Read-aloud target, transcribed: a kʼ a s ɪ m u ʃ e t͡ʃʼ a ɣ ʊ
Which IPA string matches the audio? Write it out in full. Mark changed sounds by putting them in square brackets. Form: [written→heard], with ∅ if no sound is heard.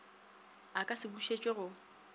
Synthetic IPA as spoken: a kʼ a s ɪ [m→b] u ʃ e t͡ʃʼ [a→e] ɣ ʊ